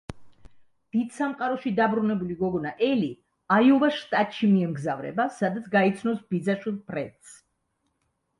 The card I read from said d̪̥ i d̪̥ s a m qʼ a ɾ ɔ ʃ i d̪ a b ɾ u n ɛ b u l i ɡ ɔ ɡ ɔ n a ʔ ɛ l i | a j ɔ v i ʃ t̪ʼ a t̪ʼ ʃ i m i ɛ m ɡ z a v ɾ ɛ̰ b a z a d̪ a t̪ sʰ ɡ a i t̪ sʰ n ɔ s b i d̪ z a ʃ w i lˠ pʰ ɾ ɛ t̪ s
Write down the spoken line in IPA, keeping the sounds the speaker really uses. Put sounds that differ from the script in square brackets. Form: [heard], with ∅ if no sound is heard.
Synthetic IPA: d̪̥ i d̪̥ s a m qʼ a ɾ ɔ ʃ i d̪ a b ɾ u n ɛ b u l i ɡ ɔ ɡ ɔ n a ʔ ɛ l i | a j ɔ v [a] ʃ t̪ʼ a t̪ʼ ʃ i m i ɛ m ɡ z a v ɾ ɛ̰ b a [s] a d̪ a t̪ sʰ ɡ a i t̪ sʰ n ɔ s b i d̪ z a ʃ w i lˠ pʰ ɾ ɛ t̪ s